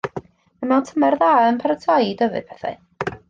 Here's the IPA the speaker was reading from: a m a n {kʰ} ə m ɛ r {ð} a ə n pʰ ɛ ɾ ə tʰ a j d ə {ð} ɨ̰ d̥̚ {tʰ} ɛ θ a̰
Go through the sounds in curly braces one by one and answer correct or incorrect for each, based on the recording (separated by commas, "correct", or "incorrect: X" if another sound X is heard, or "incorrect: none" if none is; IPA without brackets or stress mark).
incorrect: tʰ, correct, incorrect: v, incorrect: pʰ